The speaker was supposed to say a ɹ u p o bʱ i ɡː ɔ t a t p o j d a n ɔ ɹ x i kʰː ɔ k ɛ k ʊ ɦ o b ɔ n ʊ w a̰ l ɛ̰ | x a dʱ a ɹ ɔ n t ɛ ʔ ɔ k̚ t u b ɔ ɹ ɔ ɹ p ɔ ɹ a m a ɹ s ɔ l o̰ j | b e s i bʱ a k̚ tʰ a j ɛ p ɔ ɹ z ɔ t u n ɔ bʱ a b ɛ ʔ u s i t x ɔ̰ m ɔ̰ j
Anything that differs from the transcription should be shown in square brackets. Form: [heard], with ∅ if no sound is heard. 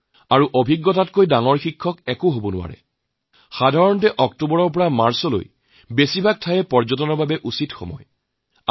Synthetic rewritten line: a ɹ u [ʔ] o bʱ i ɡː ɔ t a t [k] o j d a [ŋ] ɔ ɹ x i kʰː ɔ k ɛ k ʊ ɦ o b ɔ n ʊ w a̰ [ɹ] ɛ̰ | x a dʱ a ɹ ɔ n t ɛ ʔ ɔ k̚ t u b ɔ ɹ ɔ ɹ p ɔ ɹ a m a ɹ s ɔ l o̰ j | b e s i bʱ a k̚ tʰ a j ɛ p ɔ ɹ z ɔ t [ɔ] n ɔ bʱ a b ɛ ʔ u s i t x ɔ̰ m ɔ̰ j